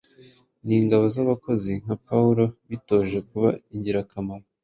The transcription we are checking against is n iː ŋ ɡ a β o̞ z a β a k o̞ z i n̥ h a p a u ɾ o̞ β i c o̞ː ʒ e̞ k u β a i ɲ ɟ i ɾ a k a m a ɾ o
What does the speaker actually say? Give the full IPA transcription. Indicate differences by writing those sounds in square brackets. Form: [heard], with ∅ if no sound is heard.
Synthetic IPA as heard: n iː ŋ ɡ a β o̞ z a β a k o̞ z i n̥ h a p a u ɾ o̞ β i [t] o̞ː ʒ e̞ k u β a i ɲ ɟ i ɾ a k a m a ɾ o